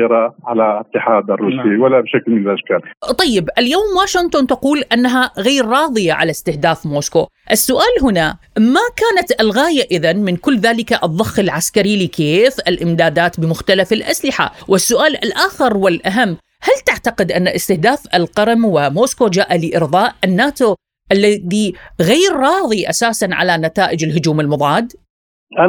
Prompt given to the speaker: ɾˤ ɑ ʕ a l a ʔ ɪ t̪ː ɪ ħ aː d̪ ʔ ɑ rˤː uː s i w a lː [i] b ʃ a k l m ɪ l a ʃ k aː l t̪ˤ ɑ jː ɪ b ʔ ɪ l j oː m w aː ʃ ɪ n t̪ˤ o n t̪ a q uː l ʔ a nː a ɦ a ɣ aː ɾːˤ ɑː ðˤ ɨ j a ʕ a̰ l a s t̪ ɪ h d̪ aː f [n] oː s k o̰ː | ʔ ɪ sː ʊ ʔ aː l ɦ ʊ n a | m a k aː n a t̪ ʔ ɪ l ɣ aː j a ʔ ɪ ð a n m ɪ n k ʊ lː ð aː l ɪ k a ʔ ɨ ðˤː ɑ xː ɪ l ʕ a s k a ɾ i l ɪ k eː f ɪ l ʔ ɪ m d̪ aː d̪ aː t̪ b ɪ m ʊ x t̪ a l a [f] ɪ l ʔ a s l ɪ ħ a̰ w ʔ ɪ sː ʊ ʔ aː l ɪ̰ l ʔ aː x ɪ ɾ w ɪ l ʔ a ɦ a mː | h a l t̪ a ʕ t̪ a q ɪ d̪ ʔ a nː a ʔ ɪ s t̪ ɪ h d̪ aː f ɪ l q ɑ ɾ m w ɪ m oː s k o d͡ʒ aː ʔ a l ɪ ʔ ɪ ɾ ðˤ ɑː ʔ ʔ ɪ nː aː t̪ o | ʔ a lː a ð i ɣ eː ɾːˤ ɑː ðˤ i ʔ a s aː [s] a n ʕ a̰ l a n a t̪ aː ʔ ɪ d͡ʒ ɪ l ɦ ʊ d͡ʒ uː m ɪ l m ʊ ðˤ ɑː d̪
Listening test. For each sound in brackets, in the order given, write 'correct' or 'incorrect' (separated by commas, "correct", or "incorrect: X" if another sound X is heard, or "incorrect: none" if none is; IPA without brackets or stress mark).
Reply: incorrect: a, incorrect: m, correct, correct